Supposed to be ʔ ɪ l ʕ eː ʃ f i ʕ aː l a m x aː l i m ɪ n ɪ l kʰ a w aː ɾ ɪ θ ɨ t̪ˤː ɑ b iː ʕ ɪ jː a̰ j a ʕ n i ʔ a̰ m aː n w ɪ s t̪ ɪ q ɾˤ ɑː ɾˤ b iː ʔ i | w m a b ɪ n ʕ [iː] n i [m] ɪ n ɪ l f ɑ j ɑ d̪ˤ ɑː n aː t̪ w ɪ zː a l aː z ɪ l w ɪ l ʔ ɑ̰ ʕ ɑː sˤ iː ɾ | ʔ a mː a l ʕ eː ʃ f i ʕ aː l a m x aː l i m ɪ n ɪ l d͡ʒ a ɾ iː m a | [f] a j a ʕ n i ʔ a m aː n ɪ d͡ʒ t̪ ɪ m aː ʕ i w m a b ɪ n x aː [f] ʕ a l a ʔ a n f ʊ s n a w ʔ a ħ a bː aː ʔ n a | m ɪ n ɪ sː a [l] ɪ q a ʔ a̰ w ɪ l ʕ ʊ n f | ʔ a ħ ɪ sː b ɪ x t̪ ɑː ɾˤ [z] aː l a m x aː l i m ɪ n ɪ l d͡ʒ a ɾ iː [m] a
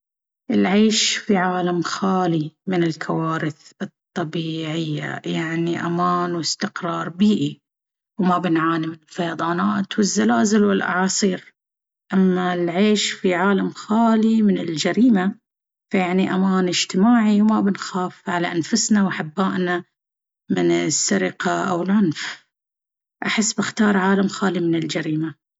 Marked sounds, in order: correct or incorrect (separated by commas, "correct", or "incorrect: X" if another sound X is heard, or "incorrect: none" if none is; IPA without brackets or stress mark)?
incorrect: aː, correct, correct, correct, incorrect: ɾ, incorrect: ʕ, correct